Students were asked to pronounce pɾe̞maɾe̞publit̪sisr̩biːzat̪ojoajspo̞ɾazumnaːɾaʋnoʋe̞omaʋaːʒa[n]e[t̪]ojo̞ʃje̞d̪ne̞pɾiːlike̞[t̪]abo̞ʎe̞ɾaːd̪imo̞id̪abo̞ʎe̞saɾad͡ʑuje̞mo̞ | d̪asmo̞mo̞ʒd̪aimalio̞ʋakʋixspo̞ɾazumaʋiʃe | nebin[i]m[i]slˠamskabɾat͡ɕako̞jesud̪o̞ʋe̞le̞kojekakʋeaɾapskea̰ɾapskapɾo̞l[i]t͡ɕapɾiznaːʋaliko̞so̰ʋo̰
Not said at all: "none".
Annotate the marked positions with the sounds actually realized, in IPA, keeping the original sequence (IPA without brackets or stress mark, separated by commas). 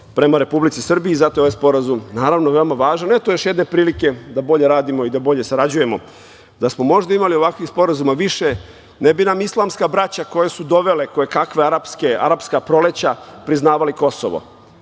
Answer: n, t̪, d̪, a, i, e